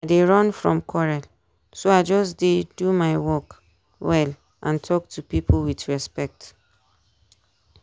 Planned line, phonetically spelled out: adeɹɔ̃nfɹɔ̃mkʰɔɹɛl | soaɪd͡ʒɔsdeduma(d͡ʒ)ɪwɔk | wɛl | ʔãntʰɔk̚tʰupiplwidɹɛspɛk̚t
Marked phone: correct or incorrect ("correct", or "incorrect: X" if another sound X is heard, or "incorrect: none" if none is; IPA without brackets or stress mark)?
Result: incorrect: none